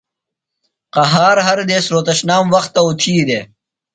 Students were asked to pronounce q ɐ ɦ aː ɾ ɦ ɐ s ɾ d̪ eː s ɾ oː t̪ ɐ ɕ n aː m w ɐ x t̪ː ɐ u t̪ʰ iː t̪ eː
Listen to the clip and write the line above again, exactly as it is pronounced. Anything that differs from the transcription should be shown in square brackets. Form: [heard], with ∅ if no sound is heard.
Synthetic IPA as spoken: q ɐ ɦ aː ɾ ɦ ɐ [∅] ɾ d̪ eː s ɾ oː t̪ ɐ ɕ n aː m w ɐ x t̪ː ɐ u t̪ʰ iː [d̪] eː